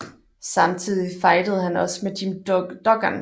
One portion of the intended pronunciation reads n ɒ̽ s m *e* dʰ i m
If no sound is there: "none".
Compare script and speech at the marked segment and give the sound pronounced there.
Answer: e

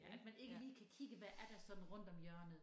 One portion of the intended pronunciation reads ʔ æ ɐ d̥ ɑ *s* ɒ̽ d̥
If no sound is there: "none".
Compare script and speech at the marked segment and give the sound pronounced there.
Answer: s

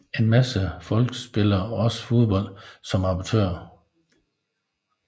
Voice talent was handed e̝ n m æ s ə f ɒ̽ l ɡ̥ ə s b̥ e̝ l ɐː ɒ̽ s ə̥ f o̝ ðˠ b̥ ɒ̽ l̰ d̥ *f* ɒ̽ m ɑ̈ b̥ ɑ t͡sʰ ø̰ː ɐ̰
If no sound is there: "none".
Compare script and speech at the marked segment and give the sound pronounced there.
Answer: s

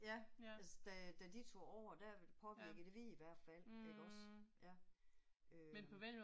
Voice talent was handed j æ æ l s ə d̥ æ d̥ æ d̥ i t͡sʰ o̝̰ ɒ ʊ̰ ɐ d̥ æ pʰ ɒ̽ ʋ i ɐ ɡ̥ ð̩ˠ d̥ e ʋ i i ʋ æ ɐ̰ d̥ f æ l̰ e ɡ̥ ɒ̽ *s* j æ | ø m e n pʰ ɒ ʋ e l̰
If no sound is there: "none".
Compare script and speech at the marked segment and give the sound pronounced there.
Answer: s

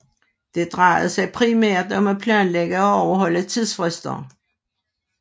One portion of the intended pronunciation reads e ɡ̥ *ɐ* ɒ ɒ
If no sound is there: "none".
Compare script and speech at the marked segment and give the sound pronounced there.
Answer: ə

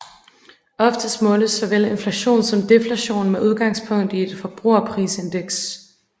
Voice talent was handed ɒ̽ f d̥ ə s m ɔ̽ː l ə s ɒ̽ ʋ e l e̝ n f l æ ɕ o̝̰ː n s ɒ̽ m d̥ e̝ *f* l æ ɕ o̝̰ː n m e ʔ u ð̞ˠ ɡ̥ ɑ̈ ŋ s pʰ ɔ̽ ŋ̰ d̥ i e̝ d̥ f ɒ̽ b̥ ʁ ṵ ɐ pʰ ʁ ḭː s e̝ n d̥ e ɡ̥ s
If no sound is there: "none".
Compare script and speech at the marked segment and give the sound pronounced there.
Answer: f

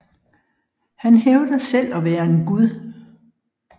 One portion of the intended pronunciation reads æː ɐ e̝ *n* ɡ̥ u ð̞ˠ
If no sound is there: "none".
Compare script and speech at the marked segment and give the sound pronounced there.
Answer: n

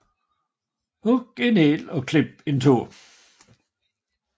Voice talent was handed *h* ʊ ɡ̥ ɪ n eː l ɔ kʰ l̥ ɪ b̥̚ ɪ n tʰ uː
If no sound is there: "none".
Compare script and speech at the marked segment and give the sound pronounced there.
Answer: h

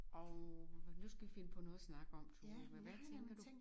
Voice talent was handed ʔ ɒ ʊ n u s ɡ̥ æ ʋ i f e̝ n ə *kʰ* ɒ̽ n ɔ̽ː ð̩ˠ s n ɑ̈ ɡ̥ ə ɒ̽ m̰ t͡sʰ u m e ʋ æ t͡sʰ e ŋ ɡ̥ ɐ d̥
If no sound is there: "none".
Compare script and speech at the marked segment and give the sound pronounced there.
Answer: pʰ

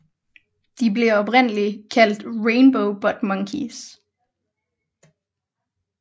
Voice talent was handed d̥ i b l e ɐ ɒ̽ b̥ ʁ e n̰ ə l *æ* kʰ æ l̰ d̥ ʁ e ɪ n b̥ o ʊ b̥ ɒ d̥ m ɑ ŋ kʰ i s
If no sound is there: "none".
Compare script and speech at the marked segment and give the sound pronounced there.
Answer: i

